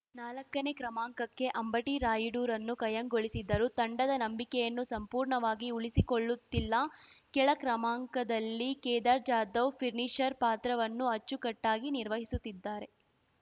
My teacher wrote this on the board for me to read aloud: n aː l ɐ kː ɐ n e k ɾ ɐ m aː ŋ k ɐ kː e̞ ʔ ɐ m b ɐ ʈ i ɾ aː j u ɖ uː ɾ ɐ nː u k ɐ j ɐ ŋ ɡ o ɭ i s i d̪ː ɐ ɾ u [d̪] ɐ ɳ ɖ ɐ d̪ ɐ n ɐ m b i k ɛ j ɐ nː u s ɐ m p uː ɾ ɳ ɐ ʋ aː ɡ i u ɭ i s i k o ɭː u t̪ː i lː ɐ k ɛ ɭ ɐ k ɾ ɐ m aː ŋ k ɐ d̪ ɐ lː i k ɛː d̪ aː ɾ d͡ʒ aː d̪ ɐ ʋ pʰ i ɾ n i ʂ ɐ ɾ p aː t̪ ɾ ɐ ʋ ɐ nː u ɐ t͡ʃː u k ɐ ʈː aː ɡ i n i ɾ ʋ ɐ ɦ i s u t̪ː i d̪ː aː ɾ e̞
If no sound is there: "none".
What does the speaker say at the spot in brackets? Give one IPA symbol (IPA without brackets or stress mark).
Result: t̪